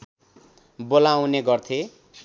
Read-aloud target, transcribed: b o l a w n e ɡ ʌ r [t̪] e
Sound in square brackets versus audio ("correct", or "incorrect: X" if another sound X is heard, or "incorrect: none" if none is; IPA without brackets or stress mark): incorrect: t̪ʰ